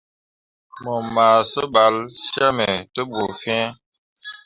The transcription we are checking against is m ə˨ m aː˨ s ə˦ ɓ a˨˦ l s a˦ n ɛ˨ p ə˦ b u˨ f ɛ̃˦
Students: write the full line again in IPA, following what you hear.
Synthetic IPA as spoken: m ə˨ m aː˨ s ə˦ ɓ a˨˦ l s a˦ m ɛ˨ t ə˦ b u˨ f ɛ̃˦